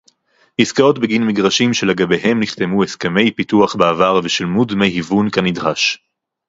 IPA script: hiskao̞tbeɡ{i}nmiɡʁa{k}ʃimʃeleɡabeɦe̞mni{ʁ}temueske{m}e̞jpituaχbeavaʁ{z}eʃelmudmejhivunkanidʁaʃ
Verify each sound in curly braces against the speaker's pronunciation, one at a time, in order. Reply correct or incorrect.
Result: correct, incorrect, incorrect, correct, incorrect

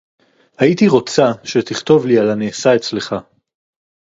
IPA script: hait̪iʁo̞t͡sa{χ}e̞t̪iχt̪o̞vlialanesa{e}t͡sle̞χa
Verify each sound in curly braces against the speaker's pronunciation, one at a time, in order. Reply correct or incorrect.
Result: incorrect, correct

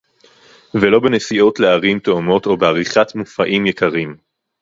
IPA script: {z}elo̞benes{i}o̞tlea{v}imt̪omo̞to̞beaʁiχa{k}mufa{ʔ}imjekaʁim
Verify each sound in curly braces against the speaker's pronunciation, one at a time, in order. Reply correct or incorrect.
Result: incorrect, correct, incorrect, incorrect, correct

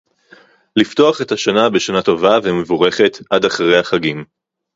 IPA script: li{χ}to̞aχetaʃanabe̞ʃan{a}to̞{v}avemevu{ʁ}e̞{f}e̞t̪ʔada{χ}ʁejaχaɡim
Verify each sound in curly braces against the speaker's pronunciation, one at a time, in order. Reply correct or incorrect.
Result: incorrect, correct, correct, correct, incorrect, correct

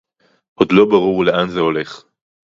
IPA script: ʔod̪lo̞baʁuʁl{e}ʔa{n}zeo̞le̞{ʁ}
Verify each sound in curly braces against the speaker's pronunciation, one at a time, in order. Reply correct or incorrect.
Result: correct, correct, incorrect

